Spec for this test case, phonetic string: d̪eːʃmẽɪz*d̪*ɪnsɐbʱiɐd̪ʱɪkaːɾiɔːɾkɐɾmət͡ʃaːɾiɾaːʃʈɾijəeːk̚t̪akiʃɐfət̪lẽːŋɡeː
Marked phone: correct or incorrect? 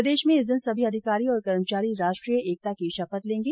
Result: correct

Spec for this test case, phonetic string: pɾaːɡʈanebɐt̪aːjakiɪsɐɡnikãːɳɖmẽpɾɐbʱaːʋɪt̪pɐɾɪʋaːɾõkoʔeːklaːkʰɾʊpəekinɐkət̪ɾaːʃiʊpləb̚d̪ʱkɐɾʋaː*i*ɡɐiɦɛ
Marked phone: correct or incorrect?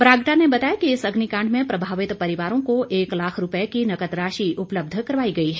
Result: correct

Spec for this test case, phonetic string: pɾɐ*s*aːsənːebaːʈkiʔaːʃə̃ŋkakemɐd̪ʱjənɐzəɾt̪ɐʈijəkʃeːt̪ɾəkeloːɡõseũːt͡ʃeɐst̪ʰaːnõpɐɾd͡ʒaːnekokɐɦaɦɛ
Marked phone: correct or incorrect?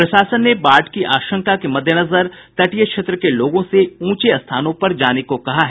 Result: incorrect: ʃ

